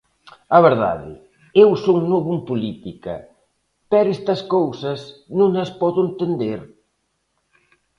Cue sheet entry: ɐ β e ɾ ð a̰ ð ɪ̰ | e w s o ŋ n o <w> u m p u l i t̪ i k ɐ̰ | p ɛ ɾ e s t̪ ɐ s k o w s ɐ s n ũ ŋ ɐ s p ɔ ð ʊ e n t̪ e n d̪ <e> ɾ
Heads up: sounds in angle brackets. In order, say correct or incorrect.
incorrect: β, correct

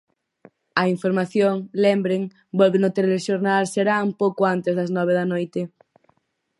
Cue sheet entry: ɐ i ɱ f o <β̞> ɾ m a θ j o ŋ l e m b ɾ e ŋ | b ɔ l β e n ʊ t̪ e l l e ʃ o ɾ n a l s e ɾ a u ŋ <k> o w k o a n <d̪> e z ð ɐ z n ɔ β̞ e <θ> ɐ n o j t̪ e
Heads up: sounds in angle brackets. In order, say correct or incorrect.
incorrect: none, incorrect: p, incorrect: t̪, incorrect: ð

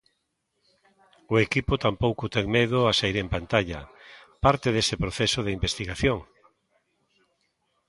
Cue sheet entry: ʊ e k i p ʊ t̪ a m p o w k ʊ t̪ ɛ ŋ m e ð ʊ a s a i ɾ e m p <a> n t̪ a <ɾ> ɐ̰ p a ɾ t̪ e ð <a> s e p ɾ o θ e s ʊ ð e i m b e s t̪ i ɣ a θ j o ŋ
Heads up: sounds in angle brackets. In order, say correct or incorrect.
correct, incorrect: ʎ, incorrect: e

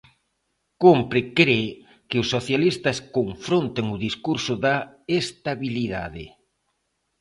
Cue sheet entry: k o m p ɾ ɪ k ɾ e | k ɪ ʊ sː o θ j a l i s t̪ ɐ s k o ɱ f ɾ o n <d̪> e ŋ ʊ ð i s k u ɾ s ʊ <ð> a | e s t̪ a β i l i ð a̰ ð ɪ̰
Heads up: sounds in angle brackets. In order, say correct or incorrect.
incorrect: t̪, correct

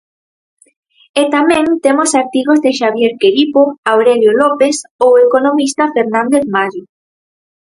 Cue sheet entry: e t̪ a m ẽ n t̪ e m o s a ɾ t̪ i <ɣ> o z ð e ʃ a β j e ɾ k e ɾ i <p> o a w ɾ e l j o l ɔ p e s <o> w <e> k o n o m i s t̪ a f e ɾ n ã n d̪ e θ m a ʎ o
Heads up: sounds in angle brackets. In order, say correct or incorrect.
correct, correct, correct, correct

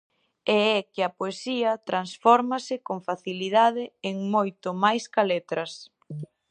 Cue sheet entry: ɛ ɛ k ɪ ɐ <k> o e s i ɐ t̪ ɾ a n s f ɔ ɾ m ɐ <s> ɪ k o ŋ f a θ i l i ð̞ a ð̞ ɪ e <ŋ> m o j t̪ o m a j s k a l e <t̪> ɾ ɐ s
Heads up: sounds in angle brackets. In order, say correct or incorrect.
incorrect: p, correct, correct, correct

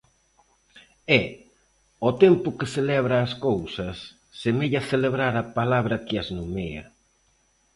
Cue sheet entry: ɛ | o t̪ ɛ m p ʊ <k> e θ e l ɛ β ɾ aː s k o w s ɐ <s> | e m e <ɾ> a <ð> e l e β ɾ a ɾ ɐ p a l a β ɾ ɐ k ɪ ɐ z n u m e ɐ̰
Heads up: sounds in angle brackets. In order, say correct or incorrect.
correct, incorrect: sː, incorrect: ʎ, incorrect: θ

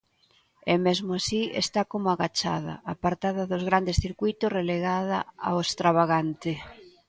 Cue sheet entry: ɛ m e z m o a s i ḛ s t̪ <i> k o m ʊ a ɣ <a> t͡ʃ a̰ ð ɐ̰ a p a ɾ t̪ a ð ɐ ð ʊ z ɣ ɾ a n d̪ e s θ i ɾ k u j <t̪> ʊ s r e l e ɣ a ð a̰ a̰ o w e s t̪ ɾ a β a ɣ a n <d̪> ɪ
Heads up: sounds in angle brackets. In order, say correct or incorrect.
incorrect: a, correct, correct, incorrect: t̪

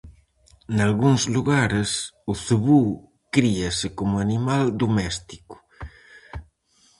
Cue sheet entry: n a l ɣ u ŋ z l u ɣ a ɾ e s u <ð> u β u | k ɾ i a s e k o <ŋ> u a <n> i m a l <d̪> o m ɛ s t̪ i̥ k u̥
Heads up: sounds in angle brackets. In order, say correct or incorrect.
incorrect: θ, incorrect: m, correct, correct

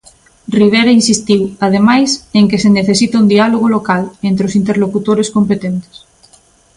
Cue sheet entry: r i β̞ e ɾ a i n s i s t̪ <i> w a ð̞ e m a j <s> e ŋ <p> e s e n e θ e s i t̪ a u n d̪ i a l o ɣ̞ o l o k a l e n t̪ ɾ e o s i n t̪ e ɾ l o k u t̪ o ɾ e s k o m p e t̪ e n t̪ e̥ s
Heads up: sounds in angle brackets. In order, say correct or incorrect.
correct, correct, incorrect: k

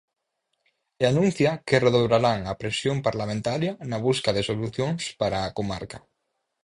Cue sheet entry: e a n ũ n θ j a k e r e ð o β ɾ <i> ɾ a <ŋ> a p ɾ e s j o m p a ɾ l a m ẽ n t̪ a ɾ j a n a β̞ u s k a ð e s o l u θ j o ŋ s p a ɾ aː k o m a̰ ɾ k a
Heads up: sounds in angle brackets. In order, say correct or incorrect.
incorrect: a, correct

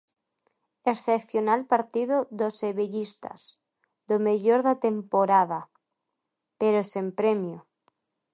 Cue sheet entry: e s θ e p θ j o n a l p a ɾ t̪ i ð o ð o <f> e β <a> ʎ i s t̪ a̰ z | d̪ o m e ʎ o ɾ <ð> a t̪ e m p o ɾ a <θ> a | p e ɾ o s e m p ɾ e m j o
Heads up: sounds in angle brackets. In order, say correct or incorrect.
incorrect: s, incorrect: e, correct, incorrect: ð

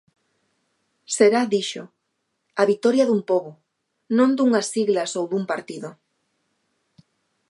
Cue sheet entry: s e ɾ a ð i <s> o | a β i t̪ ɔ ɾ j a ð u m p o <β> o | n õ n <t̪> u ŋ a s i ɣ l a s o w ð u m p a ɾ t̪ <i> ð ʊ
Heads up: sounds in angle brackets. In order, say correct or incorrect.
incorrect: ʃ, correct, incorrect: d̪, correct

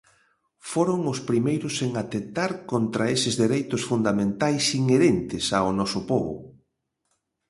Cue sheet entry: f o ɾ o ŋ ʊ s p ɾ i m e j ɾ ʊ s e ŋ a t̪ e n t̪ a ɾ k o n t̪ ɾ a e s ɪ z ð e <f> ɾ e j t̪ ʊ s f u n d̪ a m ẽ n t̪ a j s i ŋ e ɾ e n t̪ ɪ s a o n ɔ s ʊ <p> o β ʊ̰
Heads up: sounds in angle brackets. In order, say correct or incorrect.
incorrect: none, correct

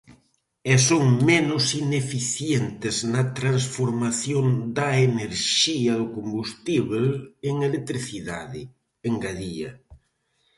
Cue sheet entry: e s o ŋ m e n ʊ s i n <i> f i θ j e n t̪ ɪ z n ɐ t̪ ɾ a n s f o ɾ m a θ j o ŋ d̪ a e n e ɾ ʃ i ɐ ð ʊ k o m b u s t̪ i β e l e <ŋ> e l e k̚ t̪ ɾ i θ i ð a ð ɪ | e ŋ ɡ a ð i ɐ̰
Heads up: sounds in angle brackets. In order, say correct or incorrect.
incorrect: e, correct

